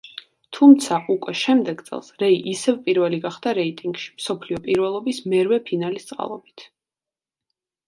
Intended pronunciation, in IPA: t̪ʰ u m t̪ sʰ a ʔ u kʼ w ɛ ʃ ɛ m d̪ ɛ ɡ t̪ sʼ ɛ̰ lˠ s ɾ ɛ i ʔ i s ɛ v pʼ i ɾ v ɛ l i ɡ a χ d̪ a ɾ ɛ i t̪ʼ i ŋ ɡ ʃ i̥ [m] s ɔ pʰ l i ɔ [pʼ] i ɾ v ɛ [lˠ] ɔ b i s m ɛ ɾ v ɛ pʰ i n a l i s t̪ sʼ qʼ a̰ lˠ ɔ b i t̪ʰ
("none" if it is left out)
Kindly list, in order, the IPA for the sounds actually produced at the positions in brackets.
m, pʼ, lˠ

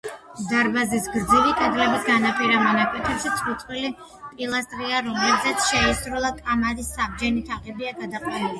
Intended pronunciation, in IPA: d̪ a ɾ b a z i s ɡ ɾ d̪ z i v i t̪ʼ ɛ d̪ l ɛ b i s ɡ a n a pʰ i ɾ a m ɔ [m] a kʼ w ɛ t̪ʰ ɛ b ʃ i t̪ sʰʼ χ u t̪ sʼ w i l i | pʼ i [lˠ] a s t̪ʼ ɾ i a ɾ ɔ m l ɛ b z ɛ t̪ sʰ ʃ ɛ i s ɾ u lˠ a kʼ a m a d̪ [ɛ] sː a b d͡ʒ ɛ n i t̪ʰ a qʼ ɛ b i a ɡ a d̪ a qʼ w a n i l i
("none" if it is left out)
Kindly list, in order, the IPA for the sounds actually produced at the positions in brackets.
n, lˠ, i

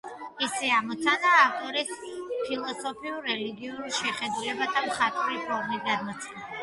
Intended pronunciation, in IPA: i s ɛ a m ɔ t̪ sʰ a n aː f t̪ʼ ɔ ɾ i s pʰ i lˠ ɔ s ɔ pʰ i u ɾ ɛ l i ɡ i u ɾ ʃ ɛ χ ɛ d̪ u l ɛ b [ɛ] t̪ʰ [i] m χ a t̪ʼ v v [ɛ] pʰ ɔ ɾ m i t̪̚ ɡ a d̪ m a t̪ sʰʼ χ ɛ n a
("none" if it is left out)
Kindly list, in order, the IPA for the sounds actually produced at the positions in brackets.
a, a, i

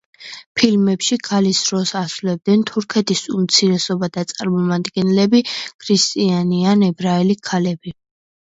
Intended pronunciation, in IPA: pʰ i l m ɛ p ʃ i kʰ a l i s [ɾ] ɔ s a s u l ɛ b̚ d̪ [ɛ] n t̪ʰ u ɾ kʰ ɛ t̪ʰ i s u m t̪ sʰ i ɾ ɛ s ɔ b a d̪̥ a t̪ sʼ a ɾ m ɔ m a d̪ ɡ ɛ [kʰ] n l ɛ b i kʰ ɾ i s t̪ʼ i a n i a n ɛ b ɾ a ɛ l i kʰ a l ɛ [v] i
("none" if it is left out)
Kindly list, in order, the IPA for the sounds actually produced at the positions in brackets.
ɾ, ɛ, none, b

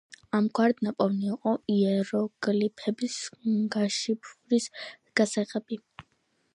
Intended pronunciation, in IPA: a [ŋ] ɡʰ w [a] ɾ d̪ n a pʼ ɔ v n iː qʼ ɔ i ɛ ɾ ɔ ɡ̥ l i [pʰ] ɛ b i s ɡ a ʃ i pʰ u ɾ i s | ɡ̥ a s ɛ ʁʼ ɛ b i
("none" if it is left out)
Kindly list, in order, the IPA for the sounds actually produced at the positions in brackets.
m, a, pʰ

